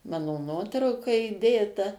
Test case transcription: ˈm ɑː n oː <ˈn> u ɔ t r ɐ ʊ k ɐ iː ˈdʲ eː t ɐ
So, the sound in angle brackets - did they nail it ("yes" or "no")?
yes